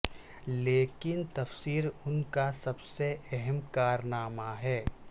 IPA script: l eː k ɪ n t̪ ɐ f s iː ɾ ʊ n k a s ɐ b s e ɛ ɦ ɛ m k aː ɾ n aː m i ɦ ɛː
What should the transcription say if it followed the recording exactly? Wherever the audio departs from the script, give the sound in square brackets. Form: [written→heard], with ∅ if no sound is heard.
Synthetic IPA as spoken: l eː k ɪ n t̪ ɐ f s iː ɾ ʊ n k a s ɐ b s e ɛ ɦ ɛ m k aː ɾ n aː m [i→a] ɦ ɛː